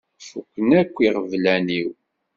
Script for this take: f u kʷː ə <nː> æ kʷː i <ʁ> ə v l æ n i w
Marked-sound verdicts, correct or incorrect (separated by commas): incorrect, correct